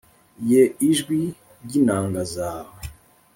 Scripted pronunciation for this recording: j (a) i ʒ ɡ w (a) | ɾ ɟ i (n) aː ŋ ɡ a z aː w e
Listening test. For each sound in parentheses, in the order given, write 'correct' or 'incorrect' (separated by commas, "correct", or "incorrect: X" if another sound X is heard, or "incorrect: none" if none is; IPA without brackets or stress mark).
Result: incorrect: e, incorrect: i, correct